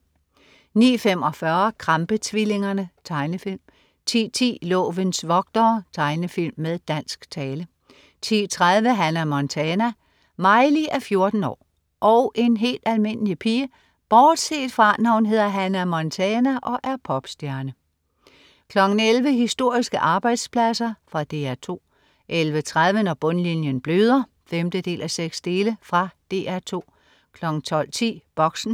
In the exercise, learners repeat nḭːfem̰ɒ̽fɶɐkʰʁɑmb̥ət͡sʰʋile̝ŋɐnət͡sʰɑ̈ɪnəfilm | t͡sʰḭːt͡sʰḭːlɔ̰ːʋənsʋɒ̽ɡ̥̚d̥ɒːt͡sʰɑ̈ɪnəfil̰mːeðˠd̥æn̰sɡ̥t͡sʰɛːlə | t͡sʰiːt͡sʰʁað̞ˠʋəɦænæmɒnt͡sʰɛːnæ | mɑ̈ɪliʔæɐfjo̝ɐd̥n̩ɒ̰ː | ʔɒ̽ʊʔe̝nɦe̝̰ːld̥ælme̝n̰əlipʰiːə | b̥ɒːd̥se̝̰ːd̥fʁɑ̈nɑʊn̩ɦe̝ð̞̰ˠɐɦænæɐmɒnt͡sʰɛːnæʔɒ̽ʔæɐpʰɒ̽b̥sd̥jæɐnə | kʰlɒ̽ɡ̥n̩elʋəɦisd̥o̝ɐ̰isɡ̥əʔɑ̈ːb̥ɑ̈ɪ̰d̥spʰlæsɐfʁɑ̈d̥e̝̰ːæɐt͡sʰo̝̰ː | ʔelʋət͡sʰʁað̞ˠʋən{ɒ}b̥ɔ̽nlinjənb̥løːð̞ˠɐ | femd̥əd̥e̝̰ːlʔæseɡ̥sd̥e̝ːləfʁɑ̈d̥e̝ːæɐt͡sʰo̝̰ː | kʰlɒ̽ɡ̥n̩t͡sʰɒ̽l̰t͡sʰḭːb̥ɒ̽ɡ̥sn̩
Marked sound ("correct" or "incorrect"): correct